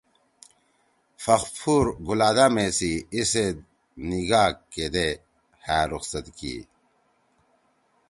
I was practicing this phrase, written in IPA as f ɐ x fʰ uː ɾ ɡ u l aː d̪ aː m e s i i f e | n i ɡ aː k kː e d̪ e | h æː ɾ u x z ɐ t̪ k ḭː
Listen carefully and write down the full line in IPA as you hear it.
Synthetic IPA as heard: f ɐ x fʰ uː ɾ ɡ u l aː d̪ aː m e s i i s e | n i ɡ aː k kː e d̪ e | h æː ɾ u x s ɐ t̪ k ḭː